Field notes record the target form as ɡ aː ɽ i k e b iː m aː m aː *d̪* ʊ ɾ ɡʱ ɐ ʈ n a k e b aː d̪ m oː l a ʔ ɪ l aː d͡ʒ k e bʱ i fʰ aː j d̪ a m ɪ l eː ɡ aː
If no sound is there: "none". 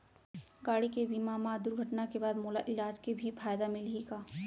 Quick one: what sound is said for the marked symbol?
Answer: d̪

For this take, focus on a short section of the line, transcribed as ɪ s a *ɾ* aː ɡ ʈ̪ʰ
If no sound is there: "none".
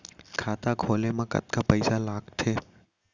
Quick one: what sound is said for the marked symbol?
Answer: l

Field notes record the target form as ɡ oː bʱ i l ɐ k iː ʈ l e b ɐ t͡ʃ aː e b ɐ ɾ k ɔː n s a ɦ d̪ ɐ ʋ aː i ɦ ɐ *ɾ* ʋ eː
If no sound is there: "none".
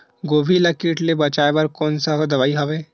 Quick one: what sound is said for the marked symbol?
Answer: none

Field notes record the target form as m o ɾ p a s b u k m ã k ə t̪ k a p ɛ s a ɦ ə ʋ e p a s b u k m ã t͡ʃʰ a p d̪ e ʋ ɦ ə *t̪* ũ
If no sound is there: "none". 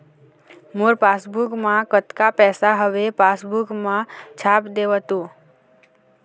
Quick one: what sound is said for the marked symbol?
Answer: t̪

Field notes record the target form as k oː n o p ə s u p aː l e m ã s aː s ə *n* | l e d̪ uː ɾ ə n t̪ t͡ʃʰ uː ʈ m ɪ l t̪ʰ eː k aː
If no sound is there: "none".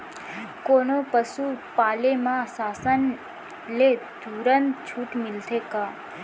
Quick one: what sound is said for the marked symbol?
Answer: n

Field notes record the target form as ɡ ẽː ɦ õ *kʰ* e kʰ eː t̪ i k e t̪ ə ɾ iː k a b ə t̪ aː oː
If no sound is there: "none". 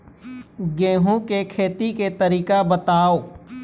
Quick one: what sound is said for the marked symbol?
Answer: k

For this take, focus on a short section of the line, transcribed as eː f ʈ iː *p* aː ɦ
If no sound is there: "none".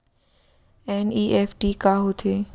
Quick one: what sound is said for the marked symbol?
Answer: k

